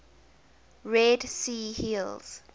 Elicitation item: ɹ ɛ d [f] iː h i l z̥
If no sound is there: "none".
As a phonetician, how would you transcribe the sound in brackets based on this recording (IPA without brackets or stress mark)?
s